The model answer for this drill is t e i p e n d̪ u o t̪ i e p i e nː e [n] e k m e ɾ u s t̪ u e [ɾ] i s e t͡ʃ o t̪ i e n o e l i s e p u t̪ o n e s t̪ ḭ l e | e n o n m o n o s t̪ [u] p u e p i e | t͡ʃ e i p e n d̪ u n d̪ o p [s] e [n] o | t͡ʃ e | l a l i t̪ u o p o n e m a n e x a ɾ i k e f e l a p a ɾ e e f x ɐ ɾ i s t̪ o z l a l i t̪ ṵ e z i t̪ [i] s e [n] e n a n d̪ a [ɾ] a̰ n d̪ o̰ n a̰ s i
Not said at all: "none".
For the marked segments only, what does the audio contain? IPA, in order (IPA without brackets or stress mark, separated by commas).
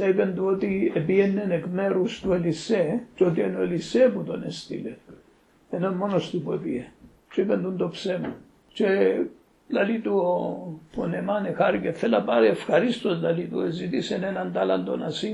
n, l, u, s, m, i, n, l